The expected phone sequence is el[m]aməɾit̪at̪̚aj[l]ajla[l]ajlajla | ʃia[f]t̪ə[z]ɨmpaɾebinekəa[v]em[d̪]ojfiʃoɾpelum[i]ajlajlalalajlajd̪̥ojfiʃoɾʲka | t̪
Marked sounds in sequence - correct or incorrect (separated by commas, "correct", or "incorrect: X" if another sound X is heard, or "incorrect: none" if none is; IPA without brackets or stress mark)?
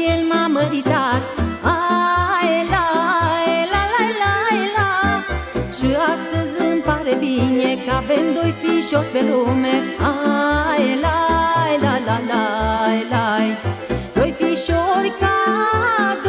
correct, correct, correct, incorrect: s, correct, correct, correct, incorrect: e